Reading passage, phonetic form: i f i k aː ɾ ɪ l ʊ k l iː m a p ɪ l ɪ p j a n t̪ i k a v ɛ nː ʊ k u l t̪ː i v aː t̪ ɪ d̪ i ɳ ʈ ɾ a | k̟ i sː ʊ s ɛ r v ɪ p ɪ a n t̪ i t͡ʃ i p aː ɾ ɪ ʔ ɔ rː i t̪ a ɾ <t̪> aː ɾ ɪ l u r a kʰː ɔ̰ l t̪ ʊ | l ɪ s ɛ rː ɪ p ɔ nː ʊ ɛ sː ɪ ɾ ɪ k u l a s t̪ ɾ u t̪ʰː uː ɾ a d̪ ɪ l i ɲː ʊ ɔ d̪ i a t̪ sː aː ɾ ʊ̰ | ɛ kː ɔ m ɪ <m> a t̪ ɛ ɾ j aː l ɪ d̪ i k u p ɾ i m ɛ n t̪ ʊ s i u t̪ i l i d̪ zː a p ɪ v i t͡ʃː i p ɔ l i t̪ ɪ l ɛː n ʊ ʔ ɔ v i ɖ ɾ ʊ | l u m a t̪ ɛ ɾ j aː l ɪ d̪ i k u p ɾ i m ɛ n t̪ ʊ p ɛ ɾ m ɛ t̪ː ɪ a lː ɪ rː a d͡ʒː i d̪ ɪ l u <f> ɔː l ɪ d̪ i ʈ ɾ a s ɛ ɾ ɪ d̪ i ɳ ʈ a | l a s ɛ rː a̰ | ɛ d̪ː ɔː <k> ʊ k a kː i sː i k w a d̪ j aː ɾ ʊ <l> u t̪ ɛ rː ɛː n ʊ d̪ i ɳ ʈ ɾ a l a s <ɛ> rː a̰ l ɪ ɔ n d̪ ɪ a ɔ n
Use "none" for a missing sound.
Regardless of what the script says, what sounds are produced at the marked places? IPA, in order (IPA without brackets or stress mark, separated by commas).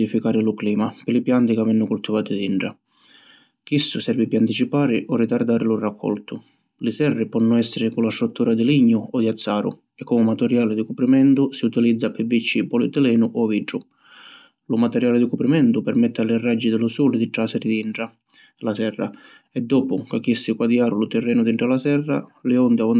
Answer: d̪, m, s, p, l, ɛ